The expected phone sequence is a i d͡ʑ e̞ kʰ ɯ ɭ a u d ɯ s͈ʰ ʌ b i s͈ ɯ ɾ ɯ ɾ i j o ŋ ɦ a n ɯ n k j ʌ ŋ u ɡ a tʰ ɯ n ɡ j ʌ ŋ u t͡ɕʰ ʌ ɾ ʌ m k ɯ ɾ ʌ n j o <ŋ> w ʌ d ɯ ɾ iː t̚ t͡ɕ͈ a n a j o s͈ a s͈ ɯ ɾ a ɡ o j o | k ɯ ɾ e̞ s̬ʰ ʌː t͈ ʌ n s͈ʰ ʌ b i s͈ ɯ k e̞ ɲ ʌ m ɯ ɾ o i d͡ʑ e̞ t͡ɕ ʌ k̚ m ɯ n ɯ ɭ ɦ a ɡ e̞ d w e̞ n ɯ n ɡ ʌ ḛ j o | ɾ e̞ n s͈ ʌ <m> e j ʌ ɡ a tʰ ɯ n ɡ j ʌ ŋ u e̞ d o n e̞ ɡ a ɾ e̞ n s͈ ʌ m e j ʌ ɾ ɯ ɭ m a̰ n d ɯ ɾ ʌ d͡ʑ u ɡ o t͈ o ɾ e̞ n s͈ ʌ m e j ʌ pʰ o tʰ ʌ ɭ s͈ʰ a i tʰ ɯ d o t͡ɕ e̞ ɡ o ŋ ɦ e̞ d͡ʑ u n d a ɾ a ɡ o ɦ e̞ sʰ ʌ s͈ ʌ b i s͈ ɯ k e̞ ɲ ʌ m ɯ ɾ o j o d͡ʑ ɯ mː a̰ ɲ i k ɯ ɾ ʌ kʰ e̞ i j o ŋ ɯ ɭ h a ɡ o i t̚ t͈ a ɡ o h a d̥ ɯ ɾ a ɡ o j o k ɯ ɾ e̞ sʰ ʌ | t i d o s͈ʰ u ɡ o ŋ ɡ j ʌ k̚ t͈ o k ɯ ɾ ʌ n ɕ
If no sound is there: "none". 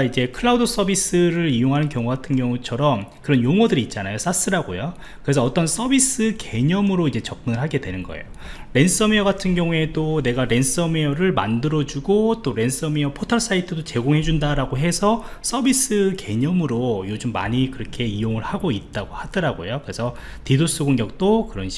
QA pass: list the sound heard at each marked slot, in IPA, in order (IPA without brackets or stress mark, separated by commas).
ŋ, m